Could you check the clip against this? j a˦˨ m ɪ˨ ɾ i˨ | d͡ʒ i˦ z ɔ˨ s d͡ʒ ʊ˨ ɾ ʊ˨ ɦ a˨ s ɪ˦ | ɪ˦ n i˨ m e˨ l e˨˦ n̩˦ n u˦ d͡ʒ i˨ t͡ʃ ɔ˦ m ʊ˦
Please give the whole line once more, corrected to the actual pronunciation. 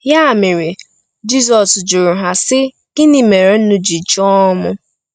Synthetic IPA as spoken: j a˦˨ m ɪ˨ ɾ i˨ | d͡ʒ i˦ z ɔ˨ s d͡ʒ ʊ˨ ɾ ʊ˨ ɦ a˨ s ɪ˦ | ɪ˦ n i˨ m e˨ ɾ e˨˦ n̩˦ n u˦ d͡ʒ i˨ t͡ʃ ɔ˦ m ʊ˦